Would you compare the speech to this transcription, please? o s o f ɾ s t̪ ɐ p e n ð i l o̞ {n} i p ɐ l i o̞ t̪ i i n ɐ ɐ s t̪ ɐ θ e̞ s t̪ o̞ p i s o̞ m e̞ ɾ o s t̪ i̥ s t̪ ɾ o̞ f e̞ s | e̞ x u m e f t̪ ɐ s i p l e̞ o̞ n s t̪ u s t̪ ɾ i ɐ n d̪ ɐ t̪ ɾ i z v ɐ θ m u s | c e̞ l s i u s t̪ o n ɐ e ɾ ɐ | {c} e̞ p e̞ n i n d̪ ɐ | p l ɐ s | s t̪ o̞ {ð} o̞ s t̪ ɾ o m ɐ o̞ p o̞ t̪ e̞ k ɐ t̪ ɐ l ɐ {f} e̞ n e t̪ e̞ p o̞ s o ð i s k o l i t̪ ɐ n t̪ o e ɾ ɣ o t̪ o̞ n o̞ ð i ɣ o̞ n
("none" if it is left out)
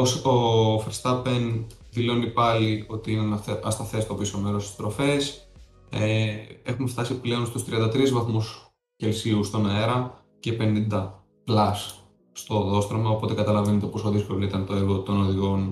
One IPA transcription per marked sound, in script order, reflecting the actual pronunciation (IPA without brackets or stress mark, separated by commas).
n, c, ð, v